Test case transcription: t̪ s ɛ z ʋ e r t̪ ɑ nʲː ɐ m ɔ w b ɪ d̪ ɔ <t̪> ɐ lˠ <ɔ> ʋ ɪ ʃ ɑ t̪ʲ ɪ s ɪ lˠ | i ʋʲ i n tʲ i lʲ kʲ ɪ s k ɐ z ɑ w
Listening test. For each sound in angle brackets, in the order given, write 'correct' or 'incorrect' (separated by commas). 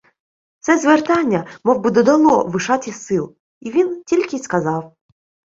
incorrect, correct